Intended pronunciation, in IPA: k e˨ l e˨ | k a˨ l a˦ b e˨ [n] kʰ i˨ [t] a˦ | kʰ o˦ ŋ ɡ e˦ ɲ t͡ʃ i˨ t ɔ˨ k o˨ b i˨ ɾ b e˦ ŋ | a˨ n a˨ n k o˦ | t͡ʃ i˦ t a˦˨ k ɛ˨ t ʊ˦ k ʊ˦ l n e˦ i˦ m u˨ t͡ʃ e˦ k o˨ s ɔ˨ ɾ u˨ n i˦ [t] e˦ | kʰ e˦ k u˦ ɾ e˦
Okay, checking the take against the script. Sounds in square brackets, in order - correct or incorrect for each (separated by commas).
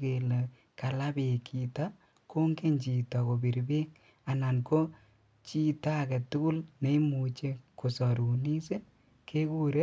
incorrect, correct, incorrect